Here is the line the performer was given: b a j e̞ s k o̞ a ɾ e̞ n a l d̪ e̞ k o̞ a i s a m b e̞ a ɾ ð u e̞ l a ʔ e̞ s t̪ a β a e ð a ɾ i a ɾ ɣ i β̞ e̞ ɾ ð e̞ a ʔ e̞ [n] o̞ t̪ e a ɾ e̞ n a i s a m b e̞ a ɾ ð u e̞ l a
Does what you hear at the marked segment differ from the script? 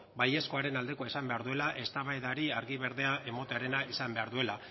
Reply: yes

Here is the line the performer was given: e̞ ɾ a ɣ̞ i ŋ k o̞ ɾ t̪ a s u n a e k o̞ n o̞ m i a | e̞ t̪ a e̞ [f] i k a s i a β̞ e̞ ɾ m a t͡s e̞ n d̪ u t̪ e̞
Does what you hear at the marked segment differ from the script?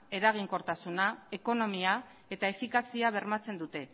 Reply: no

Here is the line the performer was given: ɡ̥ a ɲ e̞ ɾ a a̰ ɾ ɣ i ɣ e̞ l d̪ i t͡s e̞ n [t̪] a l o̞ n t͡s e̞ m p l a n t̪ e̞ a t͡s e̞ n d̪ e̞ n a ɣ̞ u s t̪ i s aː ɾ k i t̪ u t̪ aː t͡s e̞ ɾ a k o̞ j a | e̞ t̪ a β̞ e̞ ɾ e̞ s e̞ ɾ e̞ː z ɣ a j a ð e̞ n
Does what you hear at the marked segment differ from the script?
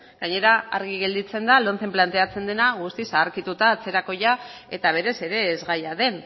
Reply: yes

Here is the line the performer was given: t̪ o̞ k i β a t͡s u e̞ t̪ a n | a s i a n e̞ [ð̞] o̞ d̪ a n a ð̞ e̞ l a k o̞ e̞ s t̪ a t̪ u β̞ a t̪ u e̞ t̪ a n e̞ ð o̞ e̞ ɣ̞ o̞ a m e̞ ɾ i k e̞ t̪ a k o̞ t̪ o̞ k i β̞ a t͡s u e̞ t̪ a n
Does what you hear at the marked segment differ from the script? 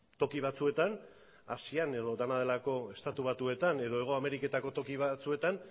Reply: no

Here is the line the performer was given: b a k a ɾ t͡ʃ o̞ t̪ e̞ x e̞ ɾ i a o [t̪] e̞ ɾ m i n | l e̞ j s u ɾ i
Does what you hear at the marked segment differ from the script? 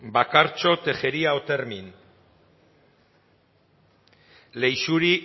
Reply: no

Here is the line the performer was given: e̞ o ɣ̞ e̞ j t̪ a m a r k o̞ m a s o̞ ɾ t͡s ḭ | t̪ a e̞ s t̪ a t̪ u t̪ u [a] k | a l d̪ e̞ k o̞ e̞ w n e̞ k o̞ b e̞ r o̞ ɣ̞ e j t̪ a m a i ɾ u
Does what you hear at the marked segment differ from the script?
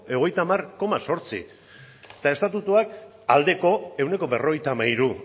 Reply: no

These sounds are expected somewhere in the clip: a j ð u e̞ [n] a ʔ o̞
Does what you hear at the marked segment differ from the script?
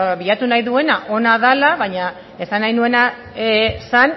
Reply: no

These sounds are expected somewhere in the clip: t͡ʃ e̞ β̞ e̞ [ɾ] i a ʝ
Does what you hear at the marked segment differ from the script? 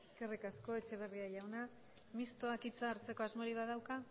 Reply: yes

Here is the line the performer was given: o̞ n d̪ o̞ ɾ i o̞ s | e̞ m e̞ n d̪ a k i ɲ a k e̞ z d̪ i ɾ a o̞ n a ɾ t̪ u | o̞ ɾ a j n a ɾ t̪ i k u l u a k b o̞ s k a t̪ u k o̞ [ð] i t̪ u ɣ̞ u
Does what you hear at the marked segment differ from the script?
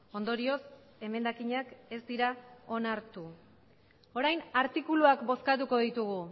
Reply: no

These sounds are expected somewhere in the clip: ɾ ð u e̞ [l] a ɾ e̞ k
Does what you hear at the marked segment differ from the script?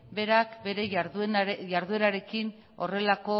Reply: yes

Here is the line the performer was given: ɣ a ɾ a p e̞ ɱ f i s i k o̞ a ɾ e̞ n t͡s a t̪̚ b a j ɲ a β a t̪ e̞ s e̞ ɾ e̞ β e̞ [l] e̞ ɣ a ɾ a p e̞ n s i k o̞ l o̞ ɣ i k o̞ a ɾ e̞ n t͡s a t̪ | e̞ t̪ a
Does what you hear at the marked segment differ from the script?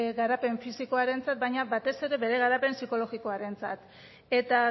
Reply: yes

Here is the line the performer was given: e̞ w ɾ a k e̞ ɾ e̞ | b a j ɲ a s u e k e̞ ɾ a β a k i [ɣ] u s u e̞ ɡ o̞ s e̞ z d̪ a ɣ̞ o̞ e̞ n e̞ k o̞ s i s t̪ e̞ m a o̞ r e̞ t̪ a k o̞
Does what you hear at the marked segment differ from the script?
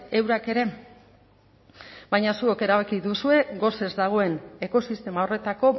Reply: yes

